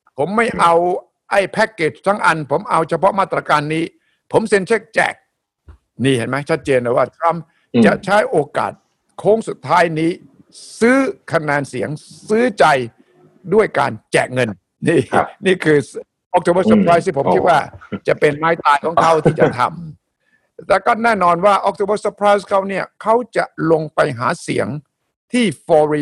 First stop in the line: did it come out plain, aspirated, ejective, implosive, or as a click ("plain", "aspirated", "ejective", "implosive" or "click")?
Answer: aspirated